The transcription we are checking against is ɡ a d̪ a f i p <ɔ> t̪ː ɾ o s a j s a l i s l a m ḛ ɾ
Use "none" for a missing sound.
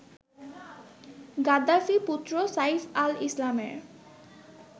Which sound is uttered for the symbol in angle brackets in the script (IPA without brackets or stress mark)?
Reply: u